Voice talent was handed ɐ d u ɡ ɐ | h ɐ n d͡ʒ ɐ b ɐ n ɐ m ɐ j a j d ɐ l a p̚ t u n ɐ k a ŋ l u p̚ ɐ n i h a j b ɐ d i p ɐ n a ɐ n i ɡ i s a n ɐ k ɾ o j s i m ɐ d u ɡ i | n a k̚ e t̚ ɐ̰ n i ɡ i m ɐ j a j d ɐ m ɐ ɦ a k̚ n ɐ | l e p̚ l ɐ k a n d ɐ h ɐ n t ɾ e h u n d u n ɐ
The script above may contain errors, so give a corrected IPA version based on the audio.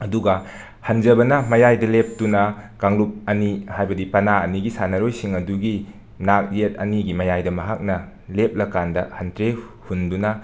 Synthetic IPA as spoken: ɐ d u ɡ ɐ | h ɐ n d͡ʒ ɐ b ɐ n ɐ m ɐ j a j d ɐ l e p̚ t u n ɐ k a ŋ l u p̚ ɐ n i h a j b ɐ d i p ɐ n a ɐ n i ɡ i s a n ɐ ɾ o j s i ŋ ɐ d u ɡ i | n a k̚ e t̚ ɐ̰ n i ɡ i m ɐ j a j d ɐ m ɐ ɦ a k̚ n ɐ | l e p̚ l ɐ k a n d ɐ h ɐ n t ɾ e h u n d u n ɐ